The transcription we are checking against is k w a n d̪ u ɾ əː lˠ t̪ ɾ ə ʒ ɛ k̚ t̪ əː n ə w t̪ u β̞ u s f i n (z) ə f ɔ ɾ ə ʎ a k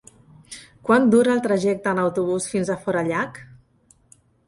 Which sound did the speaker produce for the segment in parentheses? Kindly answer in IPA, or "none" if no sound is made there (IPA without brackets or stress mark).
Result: z